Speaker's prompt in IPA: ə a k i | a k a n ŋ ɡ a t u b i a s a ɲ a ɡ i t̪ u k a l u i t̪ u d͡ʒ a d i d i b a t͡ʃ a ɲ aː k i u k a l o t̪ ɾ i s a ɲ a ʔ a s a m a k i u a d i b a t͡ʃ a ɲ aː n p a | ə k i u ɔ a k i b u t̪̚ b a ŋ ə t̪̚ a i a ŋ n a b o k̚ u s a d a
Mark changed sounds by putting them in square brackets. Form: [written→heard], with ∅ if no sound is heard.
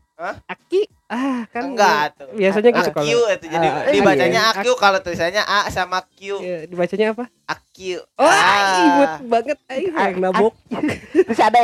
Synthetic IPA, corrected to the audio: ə a k i | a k a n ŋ ɡ a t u b i a s a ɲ a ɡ i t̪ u k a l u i t̪ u d͡ʒ a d i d i b a t͡ʃ a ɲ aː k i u k a l o t̪ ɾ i s a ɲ a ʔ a s a m a k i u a d i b a t͡ʃ a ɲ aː [n→∅] p a | [ə→a] k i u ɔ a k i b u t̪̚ b a ŋ ə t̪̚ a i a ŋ n a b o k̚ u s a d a